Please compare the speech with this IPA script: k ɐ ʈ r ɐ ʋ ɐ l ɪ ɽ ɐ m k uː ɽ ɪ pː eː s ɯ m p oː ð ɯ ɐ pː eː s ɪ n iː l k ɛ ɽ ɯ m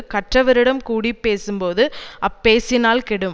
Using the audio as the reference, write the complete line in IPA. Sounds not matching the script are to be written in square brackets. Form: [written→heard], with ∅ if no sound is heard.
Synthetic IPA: k ɐ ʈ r ɐ ʋ ɐ [l→ɾ] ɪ ɽ ɐ m k uː ɽ [ɪ→i] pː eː s ɯ m p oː ð ɯ ɐ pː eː s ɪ n [iː→aː] l k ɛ ɽ ɯ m